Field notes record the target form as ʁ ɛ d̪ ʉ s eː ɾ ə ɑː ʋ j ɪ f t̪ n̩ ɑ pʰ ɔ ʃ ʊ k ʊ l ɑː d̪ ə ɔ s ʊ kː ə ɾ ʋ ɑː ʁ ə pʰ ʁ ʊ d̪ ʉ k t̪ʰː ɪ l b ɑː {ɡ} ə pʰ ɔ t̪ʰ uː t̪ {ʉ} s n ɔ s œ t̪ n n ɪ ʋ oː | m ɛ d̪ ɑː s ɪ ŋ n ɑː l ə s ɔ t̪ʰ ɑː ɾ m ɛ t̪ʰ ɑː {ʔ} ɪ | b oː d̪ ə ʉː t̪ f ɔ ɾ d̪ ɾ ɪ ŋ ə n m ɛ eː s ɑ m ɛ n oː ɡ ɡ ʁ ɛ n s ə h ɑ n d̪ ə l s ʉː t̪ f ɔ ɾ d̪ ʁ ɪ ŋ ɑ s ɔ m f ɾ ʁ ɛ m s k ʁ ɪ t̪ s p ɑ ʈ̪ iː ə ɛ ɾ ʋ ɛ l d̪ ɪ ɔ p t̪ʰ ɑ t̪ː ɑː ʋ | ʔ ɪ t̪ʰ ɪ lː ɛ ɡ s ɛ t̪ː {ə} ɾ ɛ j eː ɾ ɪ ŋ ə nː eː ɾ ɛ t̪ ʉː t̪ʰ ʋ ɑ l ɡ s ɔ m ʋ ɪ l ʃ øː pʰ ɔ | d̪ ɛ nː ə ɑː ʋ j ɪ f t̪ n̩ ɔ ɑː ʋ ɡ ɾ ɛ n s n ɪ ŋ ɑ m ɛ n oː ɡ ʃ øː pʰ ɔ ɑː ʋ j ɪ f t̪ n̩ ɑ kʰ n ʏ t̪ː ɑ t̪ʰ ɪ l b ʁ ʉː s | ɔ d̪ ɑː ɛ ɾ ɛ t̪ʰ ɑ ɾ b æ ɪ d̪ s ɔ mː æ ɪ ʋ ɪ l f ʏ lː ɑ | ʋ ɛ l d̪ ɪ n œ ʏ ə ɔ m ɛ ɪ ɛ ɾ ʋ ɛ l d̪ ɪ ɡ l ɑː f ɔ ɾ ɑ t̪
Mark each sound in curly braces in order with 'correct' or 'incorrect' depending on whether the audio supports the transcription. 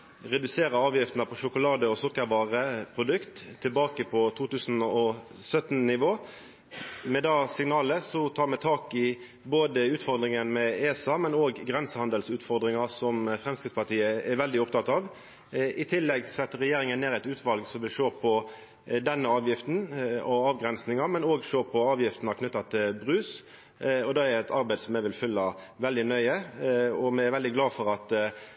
incorrect, incorrect, incorrect, correct

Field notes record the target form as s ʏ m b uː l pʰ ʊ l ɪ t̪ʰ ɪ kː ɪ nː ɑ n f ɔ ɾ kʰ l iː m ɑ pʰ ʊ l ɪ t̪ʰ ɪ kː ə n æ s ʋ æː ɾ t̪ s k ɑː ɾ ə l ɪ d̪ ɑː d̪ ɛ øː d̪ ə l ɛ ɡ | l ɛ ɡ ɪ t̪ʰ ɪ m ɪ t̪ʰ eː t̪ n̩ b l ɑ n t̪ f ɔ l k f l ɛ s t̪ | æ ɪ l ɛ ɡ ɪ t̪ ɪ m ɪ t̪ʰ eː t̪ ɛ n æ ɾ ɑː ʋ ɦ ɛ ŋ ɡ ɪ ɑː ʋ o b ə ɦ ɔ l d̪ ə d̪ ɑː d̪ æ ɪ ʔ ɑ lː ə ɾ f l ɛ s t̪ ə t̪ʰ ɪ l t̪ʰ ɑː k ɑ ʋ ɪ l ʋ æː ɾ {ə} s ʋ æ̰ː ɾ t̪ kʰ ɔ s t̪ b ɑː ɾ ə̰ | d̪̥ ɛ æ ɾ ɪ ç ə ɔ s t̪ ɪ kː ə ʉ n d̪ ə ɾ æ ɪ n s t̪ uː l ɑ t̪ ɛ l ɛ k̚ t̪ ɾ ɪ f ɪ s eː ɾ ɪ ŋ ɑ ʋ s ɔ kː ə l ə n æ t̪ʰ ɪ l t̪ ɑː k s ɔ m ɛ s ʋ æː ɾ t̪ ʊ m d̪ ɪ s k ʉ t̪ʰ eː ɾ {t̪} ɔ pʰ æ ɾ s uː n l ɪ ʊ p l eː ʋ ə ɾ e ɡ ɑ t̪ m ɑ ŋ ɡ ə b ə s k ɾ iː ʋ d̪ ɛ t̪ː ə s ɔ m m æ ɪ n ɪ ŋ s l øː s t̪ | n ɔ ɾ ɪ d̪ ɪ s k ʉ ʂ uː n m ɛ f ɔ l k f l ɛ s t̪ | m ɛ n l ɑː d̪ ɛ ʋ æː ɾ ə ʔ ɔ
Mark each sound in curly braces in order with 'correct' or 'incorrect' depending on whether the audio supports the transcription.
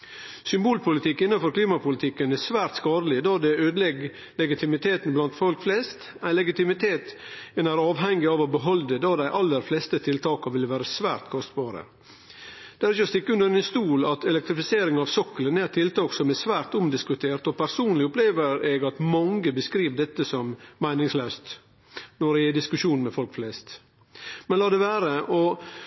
correct, correct

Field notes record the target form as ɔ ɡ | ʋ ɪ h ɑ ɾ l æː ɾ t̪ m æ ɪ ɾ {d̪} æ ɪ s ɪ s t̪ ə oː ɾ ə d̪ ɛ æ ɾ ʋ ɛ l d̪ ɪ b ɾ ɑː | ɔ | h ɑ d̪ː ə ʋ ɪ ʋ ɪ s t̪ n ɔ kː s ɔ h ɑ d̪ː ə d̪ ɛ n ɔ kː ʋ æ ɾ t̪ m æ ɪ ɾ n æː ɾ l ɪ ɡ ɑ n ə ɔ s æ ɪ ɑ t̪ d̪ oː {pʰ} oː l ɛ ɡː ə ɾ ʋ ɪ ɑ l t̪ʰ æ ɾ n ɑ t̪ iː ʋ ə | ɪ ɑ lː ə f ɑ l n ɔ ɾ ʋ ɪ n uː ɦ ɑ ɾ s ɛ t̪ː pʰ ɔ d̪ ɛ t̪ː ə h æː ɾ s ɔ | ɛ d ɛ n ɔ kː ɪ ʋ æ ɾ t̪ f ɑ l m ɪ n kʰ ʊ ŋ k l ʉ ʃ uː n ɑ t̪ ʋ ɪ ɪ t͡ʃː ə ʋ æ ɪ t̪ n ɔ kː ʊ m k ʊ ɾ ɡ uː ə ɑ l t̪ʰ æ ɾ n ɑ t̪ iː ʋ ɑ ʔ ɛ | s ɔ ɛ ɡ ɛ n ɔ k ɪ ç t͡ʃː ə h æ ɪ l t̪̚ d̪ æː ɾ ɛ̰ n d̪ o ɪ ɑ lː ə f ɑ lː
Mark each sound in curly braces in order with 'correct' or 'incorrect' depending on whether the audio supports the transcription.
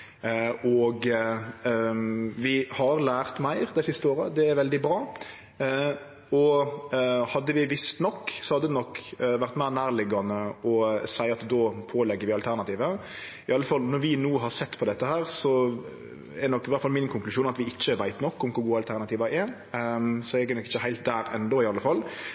correct, correct

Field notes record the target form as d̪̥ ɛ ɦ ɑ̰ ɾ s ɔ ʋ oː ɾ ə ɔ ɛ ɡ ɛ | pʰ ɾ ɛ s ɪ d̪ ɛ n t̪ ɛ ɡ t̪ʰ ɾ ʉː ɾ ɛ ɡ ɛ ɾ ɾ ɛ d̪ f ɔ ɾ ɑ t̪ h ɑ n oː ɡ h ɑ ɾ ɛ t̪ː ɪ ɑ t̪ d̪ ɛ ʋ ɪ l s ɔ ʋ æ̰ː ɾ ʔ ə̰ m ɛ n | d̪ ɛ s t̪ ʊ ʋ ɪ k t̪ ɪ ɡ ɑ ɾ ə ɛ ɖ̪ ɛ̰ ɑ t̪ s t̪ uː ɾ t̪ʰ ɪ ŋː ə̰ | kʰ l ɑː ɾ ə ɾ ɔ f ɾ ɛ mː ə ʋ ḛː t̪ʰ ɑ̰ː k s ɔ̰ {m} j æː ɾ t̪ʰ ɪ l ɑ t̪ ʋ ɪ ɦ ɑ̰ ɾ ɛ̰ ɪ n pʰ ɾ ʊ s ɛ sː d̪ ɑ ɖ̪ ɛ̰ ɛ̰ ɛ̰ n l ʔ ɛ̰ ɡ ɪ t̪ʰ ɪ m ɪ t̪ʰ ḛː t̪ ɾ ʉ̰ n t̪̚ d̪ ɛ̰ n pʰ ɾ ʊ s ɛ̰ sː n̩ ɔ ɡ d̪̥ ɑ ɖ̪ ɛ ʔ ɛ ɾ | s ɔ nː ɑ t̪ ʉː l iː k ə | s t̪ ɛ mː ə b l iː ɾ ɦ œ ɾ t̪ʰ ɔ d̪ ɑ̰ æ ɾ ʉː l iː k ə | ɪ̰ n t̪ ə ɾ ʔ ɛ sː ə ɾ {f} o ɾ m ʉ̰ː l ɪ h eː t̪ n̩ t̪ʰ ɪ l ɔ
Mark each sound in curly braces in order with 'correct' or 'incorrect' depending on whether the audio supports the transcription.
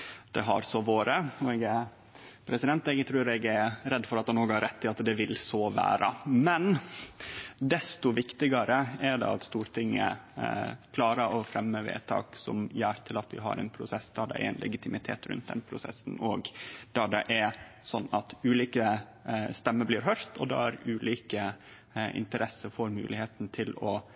correct, correct

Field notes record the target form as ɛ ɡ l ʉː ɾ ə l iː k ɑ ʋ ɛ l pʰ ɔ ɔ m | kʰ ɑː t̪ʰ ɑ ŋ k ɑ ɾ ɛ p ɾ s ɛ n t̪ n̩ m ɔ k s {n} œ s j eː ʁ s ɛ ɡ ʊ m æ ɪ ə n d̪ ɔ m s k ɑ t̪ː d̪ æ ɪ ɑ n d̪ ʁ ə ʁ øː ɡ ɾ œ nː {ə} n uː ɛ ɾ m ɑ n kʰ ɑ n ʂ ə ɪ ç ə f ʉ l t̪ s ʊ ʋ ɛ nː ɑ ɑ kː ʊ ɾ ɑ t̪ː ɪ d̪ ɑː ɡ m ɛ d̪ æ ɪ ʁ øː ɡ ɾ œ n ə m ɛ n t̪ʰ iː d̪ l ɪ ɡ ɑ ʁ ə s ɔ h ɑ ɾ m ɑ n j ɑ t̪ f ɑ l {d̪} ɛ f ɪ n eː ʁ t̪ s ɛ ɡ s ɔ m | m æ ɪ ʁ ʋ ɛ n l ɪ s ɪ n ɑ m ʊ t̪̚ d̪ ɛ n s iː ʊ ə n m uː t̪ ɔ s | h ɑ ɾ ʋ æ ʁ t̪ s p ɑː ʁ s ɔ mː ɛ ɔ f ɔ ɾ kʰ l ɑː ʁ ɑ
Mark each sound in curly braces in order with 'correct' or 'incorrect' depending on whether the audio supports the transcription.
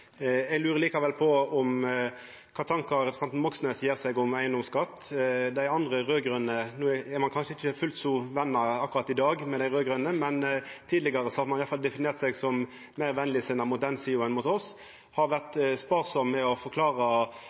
correct, correct, correct

